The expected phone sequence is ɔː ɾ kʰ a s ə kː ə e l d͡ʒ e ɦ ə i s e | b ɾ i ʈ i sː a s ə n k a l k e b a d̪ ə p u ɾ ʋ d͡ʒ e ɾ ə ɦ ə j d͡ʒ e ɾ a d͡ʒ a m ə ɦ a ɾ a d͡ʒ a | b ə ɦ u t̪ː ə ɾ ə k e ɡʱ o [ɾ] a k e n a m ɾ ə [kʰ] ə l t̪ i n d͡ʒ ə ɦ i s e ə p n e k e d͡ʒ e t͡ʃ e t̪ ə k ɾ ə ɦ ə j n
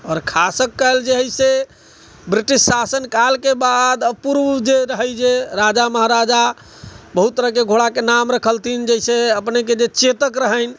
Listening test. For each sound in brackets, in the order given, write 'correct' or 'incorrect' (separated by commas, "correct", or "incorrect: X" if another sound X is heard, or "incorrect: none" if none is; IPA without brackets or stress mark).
incorrect: ɽ, correct